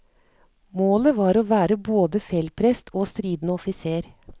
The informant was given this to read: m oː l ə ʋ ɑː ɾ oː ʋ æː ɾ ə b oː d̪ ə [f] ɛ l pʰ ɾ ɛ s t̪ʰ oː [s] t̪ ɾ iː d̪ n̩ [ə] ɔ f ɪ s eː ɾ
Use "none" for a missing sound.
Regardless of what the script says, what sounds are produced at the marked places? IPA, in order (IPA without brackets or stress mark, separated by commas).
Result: f, s, ə